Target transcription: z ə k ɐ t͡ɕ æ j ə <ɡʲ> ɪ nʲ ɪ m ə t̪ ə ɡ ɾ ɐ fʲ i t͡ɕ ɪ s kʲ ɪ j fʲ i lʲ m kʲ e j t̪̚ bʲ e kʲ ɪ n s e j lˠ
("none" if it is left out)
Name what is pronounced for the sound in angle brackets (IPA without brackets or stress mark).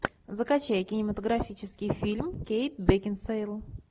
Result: kʲ